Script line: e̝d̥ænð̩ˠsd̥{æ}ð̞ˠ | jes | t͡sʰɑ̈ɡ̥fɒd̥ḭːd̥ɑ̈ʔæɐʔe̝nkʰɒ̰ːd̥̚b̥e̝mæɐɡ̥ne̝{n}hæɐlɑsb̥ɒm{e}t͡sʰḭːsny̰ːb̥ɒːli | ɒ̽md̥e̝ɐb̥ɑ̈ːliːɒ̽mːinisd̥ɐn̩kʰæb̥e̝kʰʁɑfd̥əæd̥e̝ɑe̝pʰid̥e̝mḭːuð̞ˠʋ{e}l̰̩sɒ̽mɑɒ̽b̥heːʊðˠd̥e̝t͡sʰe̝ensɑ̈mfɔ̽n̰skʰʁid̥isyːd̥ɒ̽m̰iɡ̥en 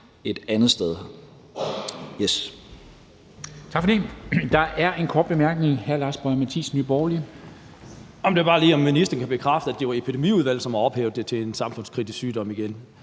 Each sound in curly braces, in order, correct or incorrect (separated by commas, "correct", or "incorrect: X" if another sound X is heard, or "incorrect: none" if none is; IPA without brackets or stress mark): incorrect: e, incorrect: ŋ, incorrect: æ, incorrect: æ